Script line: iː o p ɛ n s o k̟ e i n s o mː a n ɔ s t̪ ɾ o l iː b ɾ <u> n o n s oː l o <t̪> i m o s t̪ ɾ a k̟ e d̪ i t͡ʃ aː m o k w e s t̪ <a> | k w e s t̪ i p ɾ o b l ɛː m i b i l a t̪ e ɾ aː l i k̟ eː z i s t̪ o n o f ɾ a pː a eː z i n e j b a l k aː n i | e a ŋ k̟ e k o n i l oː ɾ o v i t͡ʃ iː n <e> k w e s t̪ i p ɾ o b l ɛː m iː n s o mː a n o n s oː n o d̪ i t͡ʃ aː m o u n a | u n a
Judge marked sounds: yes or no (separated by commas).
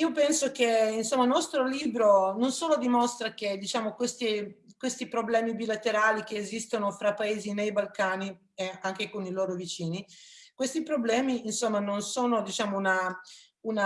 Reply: no, no, no, no